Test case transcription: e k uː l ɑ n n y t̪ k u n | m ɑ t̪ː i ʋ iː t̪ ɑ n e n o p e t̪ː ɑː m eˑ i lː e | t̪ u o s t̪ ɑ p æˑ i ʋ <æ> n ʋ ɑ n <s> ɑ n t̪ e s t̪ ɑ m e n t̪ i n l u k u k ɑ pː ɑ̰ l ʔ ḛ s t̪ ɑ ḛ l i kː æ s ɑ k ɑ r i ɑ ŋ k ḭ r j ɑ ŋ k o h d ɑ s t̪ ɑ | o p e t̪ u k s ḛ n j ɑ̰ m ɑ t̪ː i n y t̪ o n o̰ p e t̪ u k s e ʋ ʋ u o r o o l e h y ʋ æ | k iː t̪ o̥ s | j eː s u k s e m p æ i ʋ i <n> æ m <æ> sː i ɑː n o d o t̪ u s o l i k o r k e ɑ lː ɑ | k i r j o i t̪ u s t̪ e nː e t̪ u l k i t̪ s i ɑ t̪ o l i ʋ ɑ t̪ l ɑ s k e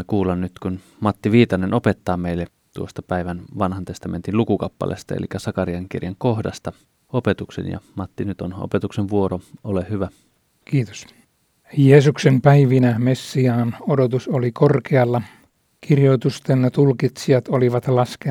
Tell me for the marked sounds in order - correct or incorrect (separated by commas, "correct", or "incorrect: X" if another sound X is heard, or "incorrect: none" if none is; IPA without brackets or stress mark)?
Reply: correct, incorrect: h, correct, incorrect: e